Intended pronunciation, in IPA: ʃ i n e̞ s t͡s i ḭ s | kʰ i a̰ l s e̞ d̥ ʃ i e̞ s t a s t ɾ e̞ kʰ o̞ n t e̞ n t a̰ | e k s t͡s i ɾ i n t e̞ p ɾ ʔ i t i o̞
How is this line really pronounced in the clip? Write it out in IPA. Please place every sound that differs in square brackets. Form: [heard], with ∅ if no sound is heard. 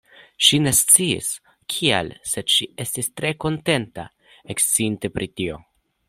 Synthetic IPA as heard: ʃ i n e̞ s t͡s i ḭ s | kʰ i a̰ l s e̞ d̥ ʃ i e̞ s t [i] s t ɾ e̞ [k] o̞ n t e̞ n t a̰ | e k s t͡s i [∅] i n t e̞ p ɾ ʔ i t i o̞